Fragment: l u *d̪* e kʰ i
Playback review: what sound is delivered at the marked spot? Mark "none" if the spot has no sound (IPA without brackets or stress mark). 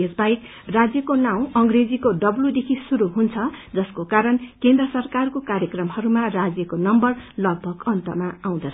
d̪